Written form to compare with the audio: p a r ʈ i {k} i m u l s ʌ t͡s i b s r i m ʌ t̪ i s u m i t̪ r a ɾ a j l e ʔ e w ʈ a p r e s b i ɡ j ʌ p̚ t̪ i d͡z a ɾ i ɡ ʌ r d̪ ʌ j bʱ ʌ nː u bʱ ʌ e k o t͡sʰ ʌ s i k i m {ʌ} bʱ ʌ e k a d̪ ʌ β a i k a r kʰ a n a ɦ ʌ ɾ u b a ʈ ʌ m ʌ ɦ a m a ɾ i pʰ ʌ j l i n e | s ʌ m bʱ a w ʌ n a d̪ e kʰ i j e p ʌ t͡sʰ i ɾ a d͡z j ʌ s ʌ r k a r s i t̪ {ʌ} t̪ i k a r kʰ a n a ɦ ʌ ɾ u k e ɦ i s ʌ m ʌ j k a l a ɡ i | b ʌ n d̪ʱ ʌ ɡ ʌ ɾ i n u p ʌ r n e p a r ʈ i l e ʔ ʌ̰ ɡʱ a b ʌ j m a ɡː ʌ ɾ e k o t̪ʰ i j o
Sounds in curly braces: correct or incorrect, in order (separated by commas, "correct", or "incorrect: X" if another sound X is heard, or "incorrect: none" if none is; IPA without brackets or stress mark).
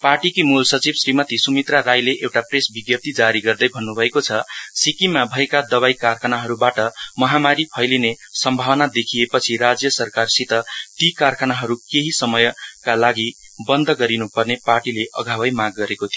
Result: correct, incorrect: a, correct